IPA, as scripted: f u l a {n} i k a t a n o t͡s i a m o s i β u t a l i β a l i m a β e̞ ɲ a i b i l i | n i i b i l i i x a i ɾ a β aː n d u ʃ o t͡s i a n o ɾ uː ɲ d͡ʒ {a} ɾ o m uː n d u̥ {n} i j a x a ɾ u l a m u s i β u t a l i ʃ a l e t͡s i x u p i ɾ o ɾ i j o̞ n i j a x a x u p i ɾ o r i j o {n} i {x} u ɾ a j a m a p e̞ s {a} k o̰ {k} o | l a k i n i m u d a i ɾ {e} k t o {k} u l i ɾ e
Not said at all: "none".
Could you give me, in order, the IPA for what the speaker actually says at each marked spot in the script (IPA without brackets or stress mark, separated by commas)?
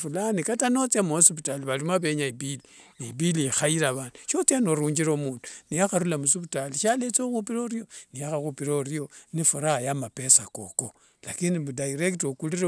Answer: n, i, n, n, f, a, k, e, k